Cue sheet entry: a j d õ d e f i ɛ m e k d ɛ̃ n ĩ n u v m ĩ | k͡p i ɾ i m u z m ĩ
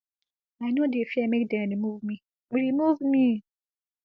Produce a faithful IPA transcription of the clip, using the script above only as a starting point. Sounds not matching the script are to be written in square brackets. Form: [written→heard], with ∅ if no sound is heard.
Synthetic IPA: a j [d→n] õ d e f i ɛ m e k d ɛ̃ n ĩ [n→m] u v m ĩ | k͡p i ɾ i m u [z→v] m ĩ